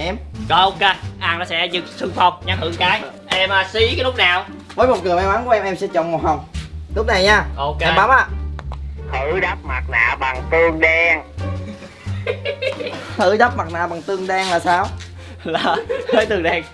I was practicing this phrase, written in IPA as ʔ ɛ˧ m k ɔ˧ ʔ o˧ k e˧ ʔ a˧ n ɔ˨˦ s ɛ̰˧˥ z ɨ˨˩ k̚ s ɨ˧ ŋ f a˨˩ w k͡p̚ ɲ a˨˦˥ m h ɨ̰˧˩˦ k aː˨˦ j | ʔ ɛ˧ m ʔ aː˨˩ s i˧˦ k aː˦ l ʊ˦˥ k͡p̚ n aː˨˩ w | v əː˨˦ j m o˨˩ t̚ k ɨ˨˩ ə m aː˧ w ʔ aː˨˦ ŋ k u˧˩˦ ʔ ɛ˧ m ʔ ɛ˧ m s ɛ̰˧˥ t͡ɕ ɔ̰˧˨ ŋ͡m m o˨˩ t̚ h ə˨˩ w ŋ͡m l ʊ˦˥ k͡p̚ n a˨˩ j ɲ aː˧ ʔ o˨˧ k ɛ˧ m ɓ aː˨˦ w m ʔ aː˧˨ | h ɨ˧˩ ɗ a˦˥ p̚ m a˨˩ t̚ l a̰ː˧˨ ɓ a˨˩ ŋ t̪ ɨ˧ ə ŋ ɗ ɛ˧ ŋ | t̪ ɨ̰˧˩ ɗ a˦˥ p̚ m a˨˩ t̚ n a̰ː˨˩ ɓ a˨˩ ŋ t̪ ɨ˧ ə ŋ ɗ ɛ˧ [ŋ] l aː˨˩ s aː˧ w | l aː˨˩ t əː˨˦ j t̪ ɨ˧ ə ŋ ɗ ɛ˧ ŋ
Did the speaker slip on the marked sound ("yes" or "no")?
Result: no